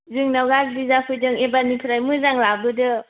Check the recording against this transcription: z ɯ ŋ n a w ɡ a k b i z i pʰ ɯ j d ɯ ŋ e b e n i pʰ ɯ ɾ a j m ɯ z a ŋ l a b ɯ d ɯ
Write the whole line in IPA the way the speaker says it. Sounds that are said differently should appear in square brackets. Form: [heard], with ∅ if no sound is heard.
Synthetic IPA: z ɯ ŋ n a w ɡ a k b i z [a] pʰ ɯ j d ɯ ŋ e b [a] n i pʰ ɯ ɾ a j m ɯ z a ŋ l a b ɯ d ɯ